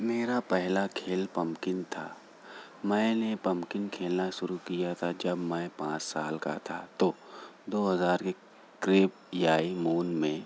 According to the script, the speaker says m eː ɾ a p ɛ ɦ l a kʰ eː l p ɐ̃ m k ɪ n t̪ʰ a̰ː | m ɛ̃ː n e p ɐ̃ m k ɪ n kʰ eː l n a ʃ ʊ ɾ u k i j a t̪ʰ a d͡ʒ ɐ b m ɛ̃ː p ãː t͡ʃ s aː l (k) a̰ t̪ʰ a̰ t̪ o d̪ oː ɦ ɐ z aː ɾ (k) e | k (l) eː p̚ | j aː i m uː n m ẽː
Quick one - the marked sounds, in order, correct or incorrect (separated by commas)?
correct, correct, incorrect